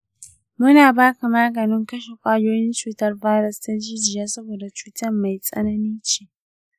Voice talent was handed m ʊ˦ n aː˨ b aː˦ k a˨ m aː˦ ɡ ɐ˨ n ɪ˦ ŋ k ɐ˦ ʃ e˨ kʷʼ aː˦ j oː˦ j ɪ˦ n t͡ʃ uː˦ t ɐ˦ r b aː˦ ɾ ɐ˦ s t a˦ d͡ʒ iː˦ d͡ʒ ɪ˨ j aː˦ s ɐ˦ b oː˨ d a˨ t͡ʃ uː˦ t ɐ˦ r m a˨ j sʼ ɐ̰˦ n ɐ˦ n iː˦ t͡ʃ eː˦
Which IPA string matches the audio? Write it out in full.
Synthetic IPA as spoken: m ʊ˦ n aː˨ b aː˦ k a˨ m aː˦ ɡ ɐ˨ n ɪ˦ ŋ k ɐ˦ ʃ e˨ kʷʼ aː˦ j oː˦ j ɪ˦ n t͡ʃ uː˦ t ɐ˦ r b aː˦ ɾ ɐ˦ s t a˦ d͡ʒ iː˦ d͡ʒ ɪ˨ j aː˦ s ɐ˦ b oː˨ d a˨ t͡ʃ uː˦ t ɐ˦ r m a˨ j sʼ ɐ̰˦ n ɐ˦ n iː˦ t͡ʃ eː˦